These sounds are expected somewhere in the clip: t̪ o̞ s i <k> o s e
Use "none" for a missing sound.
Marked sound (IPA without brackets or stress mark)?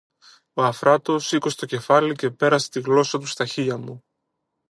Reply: k